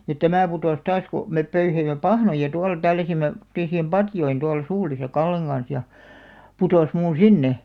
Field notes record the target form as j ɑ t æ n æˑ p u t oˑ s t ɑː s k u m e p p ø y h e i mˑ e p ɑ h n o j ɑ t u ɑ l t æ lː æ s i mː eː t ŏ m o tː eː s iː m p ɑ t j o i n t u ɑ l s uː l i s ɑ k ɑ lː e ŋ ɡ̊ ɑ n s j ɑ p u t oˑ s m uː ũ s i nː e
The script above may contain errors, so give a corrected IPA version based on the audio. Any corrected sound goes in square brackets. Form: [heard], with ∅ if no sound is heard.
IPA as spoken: j ɑ t æ [m] æˑ p u t oˑ s t ɑː s k u m e p p ø y h e i mˑ e p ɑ h n o j ɑ t u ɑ l t æ lː æ s i mː [e] t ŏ m o tː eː s iː m p ɑ t j o i n t u ɑ l s uː l i s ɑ k ɑ lː e ŋ ɡ̊ ɑ n s j ɑ p u t oˑ s m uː ũ s i nː e